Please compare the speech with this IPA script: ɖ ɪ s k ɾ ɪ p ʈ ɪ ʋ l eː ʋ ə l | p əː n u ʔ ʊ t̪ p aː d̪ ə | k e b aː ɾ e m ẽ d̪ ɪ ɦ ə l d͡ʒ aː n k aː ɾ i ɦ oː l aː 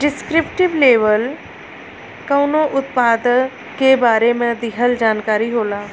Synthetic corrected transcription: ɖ ɪ s k ɾ ɪ p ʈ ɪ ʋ l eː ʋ ə l | k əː n o ʔ ʊ t̪ p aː d̪ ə | k e b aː ɾ e m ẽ d̪ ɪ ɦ ə l d͡ʒ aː n k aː ɾ i ɦ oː l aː